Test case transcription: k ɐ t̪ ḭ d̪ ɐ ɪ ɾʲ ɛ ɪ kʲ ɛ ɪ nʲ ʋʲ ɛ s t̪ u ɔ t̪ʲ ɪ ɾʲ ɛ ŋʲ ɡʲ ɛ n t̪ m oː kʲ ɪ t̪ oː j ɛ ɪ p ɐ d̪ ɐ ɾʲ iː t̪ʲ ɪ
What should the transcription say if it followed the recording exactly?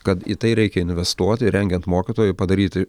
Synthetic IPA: k ɐ t̪ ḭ t̪ ɐ ɪ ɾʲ ɛ ɪ kʲ ɛ ɪ nʲ ʋʲ ɛ s t̪ u ɔ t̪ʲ ɪ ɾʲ ɛ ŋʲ ɡʲ ɛ n t̪ m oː kʲ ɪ t̪ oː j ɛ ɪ p ɐ d̪ ɐ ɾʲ iː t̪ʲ ɪ